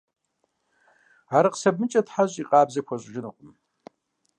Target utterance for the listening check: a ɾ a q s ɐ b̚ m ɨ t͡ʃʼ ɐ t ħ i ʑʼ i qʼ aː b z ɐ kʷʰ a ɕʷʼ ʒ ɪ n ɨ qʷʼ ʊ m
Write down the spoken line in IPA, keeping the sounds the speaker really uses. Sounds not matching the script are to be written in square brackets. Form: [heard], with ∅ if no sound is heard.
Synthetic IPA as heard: a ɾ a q s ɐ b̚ m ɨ t͡ʃʼ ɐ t ħ [a] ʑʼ i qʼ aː b z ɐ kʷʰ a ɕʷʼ ʒ ɪ n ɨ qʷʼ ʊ m